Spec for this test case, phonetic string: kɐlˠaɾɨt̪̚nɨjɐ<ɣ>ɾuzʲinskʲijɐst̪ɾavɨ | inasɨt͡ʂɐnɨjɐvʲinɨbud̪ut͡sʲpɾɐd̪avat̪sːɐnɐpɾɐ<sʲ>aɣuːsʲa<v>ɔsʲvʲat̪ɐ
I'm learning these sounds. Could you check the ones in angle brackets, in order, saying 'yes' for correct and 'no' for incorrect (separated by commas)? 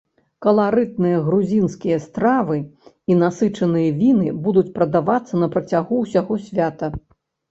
yes, no, no